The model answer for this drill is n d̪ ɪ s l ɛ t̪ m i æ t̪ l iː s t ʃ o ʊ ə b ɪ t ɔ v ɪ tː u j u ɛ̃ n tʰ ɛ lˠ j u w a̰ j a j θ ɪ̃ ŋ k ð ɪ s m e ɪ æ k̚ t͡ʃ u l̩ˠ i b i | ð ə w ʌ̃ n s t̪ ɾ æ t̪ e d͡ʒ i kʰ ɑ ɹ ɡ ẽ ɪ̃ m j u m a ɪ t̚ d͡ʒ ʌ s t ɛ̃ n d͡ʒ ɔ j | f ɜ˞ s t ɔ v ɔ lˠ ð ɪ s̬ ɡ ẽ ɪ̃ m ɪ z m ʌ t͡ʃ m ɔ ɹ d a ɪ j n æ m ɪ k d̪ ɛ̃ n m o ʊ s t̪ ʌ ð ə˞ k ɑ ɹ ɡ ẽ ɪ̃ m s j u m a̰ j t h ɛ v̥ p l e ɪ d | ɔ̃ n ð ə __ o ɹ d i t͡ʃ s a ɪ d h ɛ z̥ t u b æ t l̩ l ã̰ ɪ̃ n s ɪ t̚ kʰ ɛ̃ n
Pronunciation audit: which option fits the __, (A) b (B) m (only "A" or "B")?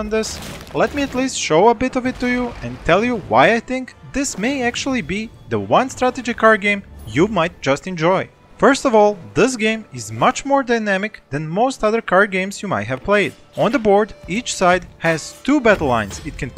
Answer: A